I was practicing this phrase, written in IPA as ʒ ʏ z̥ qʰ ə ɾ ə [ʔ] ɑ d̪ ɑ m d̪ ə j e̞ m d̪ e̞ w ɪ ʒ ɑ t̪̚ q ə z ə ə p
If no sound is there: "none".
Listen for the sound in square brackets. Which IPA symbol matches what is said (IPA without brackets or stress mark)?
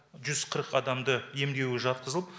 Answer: q